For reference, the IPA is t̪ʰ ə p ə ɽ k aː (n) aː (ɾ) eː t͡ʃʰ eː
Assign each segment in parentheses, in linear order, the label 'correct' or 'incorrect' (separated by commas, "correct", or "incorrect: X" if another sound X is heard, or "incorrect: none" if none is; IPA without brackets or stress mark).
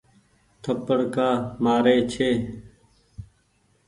incorrect: m, correct